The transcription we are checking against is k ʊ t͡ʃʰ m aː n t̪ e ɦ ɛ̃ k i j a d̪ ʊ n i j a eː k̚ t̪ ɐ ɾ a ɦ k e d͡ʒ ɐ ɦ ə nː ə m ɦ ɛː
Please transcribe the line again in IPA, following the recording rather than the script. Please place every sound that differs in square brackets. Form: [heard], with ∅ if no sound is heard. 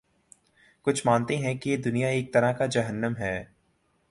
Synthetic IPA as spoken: k ʊ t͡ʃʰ m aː n t̪ e ɦ ɛ̃ k i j [e] d̪ ʊ n i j a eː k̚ t̪ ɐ ɾ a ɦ k [a] d͡ʒ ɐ ɦ ə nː ə m ɦ ɛː